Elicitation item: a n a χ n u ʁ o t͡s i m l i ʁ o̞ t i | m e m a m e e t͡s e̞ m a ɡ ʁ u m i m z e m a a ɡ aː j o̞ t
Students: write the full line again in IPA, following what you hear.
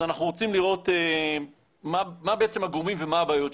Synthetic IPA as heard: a n a χ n u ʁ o t͡s i m l i ʁ o̞ t e | m a m a b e e t͡s e̞ m a ɡ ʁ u m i m v e m a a b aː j o̞ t